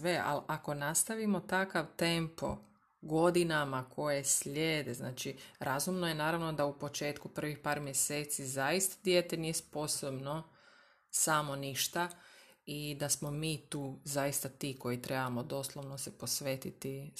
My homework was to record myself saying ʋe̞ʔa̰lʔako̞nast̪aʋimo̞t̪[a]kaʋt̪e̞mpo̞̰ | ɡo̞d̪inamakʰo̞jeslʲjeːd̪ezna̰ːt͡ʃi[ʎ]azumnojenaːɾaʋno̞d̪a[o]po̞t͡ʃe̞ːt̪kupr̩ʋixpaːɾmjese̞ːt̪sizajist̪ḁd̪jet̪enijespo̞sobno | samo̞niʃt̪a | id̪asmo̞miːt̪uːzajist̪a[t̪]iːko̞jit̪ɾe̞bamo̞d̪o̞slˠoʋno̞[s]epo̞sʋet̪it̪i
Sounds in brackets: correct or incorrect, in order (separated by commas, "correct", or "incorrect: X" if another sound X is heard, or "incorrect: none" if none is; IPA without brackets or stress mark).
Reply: correct, incorrect: ɾ, incorrect: u, correct, correct